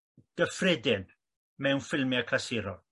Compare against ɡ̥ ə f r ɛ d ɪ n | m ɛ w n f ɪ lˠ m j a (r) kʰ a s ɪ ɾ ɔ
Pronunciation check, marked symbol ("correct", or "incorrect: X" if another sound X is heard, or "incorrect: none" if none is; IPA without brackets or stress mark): incorrect: none